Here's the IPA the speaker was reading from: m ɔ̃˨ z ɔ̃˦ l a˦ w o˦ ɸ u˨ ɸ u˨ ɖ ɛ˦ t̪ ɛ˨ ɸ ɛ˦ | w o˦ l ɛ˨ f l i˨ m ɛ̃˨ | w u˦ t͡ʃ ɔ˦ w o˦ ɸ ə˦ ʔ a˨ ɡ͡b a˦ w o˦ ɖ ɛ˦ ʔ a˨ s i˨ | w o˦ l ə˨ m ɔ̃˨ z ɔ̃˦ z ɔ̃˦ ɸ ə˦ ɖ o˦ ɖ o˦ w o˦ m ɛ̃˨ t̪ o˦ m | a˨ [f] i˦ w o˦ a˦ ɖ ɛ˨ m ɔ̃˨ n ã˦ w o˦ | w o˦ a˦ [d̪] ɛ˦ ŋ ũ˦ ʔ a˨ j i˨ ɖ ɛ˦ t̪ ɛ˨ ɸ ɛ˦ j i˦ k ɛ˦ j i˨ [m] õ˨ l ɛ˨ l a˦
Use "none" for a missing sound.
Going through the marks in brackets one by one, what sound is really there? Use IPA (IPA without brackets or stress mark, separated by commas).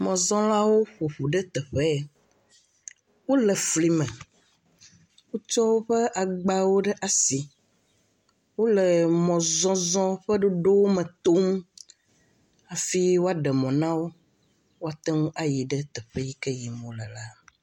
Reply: f, t̪, m